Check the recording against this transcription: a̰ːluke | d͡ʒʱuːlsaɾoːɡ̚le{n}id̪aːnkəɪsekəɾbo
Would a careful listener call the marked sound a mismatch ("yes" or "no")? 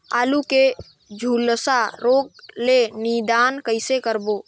no